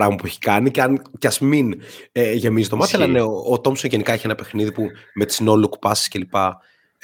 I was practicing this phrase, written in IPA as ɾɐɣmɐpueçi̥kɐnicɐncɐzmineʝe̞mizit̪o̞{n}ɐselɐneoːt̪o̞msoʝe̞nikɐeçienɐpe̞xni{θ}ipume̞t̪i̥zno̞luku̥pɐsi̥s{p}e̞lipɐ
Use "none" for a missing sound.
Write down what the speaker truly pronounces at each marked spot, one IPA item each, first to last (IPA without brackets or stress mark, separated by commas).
m, ð, c